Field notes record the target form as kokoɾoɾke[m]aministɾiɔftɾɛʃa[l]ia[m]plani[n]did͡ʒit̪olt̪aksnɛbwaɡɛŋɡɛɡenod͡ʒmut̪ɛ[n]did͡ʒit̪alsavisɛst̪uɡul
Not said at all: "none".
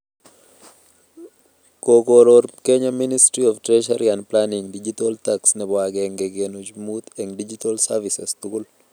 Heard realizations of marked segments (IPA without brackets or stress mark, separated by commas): ɲ, ɾ, n, ŋ, ŋ